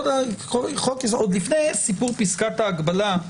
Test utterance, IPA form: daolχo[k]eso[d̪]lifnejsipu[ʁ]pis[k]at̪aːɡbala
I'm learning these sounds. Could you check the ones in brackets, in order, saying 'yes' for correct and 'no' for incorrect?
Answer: yes, yes, yes, yes

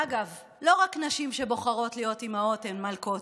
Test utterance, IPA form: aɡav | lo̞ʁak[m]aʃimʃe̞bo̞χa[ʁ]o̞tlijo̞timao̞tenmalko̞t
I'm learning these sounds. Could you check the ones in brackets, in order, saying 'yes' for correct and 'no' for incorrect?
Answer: no, yes

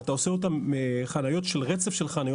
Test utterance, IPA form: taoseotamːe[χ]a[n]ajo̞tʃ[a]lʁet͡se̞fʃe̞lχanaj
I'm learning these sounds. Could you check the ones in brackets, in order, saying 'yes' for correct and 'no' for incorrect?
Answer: yes, yes, no

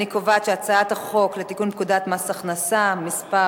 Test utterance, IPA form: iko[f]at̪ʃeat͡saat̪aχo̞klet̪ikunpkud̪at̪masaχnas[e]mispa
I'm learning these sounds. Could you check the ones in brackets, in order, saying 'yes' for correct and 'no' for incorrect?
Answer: no, no

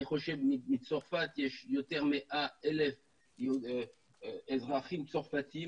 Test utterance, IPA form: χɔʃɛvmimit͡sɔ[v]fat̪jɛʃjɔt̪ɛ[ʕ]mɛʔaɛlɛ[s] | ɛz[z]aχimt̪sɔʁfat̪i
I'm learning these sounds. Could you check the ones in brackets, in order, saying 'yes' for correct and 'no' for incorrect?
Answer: no, no, no, no

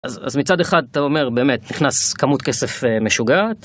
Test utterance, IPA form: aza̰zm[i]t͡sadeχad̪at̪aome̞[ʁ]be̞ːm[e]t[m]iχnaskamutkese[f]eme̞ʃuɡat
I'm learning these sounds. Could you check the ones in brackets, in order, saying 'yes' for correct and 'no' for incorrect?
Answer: yes, yes, yes, no, yes

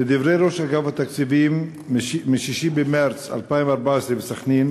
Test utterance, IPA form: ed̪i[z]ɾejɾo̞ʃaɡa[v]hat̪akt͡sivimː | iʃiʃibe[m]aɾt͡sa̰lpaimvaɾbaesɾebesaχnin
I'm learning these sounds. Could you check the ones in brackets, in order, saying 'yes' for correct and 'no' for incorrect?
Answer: no, yes, yes

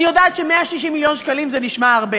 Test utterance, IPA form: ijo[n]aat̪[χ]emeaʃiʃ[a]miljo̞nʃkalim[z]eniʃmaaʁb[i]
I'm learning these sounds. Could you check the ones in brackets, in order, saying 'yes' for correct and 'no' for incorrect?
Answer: no, no, no, yes, no

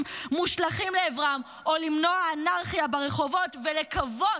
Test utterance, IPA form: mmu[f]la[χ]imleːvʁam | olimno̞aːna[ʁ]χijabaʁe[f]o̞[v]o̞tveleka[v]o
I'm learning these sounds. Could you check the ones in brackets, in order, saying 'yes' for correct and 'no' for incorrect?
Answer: no, yes, yes, no, yes, yes

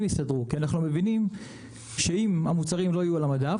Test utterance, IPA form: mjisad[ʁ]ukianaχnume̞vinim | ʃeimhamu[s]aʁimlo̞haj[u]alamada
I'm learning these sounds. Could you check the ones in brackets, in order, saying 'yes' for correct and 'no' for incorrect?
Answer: yes, no, yes

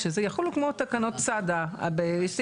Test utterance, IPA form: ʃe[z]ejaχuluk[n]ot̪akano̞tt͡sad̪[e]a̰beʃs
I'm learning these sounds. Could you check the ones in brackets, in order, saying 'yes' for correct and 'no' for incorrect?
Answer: yes, no, no

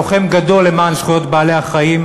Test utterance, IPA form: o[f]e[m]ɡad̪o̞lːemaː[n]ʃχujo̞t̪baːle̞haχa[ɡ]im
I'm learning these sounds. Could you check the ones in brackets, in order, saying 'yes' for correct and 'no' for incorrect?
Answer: no, yes, yes, no

